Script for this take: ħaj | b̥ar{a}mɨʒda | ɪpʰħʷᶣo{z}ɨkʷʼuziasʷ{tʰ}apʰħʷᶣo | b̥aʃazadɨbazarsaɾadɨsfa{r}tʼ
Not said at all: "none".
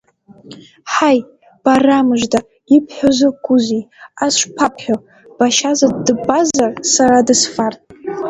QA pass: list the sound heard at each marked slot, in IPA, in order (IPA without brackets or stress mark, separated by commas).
a, z, pʰ, r